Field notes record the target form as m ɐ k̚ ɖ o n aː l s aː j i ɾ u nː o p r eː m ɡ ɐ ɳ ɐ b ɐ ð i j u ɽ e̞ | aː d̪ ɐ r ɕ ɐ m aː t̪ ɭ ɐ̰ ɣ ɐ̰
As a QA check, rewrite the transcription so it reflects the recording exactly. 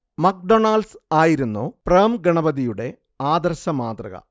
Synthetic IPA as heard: m ɐ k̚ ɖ o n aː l s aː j i ɾ u nː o p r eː m ɡ ɐ ɳ ɐ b ɐ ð i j u ɽ e̞ | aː d̪ ɐ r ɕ ɐ m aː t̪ r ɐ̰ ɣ ɐ̰

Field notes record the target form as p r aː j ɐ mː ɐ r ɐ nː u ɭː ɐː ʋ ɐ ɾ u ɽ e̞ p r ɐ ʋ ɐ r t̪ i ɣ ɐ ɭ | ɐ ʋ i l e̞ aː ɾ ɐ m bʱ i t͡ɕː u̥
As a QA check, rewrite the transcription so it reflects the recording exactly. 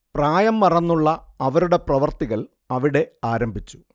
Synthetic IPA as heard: p r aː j ɐ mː ɐ r ɐ nː u ɭː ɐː ʋ ɐ ɾ u ɽ e̞ p r ɐ ʋ ɐ r t̪ i ɣ ɐ ɭ | ɐ ʋ i ɽ e̞ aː ɾ ɐ m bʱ i t͡ɕː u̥

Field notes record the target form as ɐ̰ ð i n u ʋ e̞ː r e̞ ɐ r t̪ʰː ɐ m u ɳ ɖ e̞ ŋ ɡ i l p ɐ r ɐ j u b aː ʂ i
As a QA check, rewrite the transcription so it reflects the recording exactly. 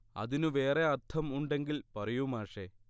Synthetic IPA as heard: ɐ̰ ð i n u ʋ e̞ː r e̞ ɐ r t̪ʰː ɐ m u ɳ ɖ e̞ ŋ ɡ i l p ɐ r ɐ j u m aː ʂ e

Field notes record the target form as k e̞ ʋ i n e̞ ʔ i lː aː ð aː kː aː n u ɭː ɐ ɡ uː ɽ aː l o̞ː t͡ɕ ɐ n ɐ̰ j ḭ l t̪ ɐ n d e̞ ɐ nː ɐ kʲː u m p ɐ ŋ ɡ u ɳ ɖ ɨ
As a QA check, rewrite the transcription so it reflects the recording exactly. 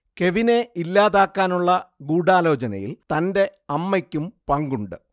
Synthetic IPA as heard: k e̞ ʋ i n e̞ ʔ i lː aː ð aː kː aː n u ɭː ɐ ɡ uː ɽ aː l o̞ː t͡ɕ ɐ n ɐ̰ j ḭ l t̪ ɐ n d e̞ ɐ mː ɐ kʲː u m p ɐ ŋ ɡ u ɳ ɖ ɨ

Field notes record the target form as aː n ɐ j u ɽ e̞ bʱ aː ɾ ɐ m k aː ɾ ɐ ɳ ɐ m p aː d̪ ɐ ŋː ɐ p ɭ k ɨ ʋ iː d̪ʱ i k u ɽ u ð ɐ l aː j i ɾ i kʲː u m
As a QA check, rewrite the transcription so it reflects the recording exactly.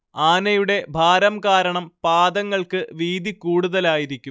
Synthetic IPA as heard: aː n ɐ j u ɽ e̞ bʱ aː ɾ ɐ m k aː ɾ ɐ ɳ ɐ m p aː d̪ ɐ ŋː ɐ ɭ k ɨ ʋ iː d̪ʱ i k uː ɽ u ð ɐ l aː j i ɾ i kʲː u m

